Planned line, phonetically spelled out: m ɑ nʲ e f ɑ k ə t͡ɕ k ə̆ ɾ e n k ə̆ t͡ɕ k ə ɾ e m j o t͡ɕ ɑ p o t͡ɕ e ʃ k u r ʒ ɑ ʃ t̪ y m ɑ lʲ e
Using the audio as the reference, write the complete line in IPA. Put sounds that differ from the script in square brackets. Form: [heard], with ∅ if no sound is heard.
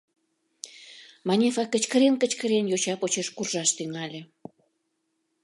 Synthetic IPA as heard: m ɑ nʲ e f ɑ k ə t͡ɕ k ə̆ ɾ e n k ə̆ t͡ɕ k ə ɾ e [n] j o t͡ɕ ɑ p o t͡ɕ e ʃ k u r ʒ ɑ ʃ t̪ y [ŋ] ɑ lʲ e

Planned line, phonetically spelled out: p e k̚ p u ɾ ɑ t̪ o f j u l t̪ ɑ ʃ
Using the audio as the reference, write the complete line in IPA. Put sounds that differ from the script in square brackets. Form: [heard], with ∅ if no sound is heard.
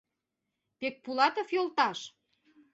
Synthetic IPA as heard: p e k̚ p u [l] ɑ t̪ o f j [o] l t̪ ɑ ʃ

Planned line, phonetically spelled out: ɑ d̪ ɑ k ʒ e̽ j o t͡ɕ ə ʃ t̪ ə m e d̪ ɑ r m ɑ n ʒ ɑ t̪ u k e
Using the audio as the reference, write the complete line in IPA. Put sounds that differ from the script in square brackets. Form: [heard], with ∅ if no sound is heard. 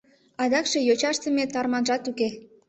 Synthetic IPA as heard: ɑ d̪ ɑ k [ʃ] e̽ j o t͡ɕ [ɑ] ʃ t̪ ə m e [t̪] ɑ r m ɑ n ʒ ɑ t̪ u k e

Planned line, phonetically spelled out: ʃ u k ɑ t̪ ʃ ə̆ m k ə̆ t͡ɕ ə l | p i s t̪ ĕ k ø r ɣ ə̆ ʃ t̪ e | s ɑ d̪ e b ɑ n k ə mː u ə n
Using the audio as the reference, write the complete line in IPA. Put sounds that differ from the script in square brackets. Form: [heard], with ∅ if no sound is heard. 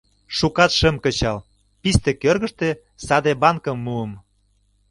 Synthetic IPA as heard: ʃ u k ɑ t̪ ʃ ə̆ m k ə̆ t͡ɕ [ɑ] l | p i s t̪ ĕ k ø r ɣ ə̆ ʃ t̪ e | s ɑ d̪ e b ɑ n k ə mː u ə [m]

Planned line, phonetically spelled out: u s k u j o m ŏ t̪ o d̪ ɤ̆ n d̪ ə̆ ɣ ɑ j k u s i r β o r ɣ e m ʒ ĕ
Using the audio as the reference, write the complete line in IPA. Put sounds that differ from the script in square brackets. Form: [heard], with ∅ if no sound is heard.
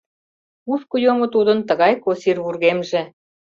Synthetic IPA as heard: u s k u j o m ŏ t̪ [u] d̪ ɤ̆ n [t̪] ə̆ ɣ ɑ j k [o] s i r β [u] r ɣ e m ʒ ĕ

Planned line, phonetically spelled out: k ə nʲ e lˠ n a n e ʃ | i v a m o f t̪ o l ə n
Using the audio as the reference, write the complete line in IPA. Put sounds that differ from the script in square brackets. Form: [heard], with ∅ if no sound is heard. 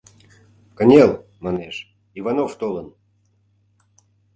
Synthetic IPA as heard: k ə nʲ e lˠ [m] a n e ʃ | i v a [n] o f t̪ o l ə n

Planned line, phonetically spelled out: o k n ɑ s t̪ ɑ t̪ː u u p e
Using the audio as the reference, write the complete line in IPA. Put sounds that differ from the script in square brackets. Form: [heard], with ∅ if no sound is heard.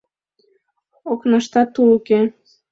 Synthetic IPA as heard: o k n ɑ [ʃ] t̪ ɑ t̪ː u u [k] e

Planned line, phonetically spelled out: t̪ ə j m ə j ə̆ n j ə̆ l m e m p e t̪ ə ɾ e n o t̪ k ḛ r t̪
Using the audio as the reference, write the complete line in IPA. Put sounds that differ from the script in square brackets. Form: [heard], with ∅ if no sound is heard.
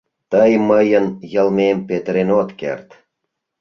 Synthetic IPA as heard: t̪ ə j m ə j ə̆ n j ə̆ l m e m p e t̪ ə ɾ e n o t̪ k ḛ r t̪

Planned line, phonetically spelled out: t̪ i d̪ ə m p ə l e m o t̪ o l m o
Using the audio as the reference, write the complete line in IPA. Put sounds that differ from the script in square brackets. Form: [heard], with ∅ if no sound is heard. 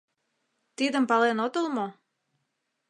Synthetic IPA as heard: t̪ i d̪ ə m p [ɑ] l e [n] o t̪ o l m o

